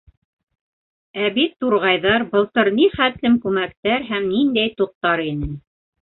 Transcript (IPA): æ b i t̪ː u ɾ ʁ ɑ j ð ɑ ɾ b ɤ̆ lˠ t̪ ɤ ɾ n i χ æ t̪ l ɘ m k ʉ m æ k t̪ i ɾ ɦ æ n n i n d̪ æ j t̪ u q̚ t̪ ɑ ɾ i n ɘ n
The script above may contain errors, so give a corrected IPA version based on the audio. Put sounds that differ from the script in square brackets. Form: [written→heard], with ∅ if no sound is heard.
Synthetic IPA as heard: æ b i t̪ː u ɾ ʁ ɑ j ð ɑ ɾ b ɤ̆ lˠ t̪ ɤ ɾ n i χ æ t̪ l ɘ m k ʉ m æ k t̪ [i→æ] ɾ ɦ æ [n→m] n i n d̪ æ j t̪ u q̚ t̪ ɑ ɾ i n ɘ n